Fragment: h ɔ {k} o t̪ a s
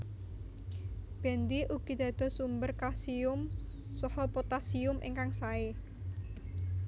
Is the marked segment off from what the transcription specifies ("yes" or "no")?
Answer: yes